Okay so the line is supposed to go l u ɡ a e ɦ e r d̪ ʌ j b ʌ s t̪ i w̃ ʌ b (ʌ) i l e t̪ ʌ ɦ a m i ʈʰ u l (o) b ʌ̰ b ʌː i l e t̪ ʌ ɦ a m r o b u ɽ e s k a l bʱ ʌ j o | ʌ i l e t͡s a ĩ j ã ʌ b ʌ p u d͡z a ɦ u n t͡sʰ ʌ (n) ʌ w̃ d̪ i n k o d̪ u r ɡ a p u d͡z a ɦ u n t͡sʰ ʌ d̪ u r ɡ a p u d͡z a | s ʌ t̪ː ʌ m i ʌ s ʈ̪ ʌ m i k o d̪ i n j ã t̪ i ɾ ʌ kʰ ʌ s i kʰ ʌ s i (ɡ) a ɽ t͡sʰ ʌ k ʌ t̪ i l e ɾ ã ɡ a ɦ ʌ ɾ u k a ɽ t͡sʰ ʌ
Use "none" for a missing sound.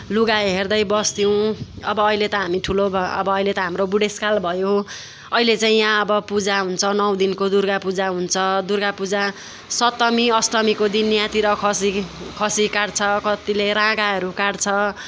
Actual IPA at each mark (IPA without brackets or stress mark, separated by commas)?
ʌː, o, n, k